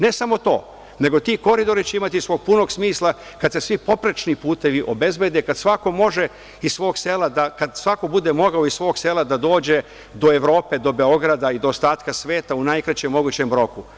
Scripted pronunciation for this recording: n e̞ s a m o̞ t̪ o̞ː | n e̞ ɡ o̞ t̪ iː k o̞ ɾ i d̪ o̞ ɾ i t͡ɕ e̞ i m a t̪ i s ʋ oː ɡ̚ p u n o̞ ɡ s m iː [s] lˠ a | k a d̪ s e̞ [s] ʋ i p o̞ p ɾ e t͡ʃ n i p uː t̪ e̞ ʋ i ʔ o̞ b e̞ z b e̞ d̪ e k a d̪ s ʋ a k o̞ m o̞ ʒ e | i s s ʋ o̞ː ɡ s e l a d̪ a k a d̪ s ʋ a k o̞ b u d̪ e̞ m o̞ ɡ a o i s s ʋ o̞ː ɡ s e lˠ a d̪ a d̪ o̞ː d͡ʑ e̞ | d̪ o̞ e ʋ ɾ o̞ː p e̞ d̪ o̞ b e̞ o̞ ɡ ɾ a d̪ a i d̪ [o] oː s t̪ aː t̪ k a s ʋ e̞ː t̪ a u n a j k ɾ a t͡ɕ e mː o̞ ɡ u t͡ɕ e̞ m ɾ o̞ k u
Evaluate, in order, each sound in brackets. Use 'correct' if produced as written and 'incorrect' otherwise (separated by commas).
correct, correct, correct